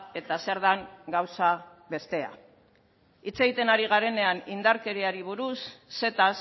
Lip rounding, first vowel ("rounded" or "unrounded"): unrounded